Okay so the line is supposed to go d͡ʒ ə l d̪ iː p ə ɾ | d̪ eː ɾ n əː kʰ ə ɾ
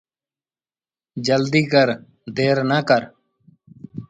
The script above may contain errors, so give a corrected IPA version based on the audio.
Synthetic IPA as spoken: d͡ʒ ə l d̪ iː k ə ɾ | d̪ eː ɾ n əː k ə ɾ